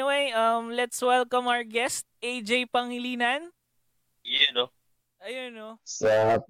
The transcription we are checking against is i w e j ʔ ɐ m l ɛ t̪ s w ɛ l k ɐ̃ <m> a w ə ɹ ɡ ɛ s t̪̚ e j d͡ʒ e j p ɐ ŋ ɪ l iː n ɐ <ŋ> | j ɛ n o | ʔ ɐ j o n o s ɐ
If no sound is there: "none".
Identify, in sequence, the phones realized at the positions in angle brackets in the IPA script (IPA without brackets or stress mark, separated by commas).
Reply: m, n